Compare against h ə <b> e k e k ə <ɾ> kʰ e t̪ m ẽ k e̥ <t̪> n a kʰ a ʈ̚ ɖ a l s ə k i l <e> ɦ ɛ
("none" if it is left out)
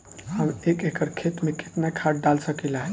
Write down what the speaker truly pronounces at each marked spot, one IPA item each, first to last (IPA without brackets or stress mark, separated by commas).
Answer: m, ɾ, t̪, a